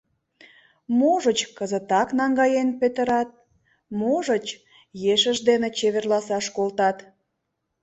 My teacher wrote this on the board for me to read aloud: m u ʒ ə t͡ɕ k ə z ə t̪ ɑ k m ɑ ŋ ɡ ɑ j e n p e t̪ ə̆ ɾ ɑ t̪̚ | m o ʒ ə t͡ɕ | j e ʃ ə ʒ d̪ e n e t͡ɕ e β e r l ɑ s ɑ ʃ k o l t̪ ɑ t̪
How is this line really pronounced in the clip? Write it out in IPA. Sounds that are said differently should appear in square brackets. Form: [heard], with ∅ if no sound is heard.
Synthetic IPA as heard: m [o] ʒ ə t͡ɕ k ə z ə t̪ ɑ k [n] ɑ ŋ ɡ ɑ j e n p e t̪ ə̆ ɾ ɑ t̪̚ | m o ʒ ə t͡ɕ | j e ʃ ə ʒ d̪ e n e t͡ɕ e β e r l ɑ s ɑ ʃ k o l t̪ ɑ t̪

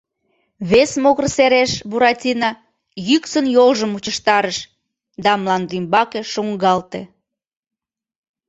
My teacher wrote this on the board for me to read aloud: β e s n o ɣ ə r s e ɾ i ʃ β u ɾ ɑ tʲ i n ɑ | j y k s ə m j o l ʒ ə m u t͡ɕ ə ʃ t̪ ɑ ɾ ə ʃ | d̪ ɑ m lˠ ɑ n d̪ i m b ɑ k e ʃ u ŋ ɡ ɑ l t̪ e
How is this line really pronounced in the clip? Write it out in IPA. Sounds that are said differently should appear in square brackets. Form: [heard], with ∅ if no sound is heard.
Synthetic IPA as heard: β e s [m] o ɣ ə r s e ɾ [e] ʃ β u ɾ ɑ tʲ i n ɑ | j y k s ə [n] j o l ʒ ə m u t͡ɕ ə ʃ t̪ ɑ ɾ ə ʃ | d̪ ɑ m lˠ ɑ n d̪ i m b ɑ k e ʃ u ŋ ɡ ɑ l t̪ e

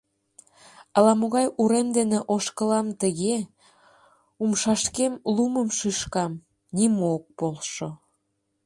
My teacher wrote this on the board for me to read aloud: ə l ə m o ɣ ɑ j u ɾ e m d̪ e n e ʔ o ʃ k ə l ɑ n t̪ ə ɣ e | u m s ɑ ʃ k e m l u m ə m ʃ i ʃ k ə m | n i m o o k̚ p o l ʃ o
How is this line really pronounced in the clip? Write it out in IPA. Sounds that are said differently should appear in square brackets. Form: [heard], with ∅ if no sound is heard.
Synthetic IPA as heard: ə l [ɑ] m o ɣ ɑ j u ɾ e m d̪ e n e ʔ o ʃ k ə l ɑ [m] t̪ ə ɣ e | u m [ʃ] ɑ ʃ k e m l u m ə m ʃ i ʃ k [ɑ] m | n i m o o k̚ p o l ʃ o

